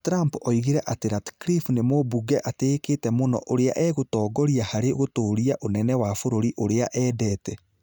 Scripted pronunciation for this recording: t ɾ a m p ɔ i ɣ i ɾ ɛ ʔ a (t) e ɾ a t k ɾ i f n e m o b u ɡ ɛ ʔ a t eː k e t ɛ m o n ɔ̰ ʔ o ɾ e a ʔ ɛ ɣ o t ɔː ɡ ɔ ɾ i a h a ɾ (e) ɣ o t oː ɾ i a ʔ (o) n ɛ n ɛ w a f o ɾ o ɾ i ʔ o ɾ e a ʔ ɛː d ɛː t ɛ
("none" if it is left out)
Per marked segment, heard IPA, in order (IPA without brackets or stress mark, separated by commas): t, e, o